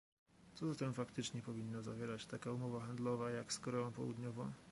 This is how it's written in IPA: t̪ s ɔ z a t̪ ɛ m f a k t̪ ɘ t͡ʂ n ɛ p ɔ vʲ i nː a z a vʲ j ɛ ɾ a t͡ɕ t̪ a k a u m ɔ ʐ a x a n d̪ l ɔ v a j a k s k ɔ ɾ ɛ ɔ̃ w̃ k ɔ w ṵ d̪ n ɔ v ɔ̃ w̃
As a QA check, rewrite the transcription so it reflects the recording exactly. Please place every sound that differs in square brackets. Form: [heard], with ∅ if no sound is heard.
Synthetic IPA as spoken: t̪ s ɔ z a t̪ ɛ m f a k t̪ ɘ t͡ʂ [ɲ] ɛ p ɔ vʲ i nː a z a vʲ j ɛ ɾ a t͡ɕ t̪ a k a u m ɔ [v] a x a n d̪ l ɔ v a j a k s k ɔ ɾ ɛ ɔ̃ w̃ [p] ɔ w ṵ d̪ [ɲ] ɔ v ɔ̃ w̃